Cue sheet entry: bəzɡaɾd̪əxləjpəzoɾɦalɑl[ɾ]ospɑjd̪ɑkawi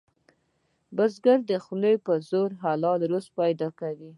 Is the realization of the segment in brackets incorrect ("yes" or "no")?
no